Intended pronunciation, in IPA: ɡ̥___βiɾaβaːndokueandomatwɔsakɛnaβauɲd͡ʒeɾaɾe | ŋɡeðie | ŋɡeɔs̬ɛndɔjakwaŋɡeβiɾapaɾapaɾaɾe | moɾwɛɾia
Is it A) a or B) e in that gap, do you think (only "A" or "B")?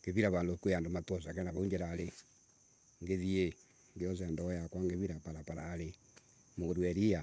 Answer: B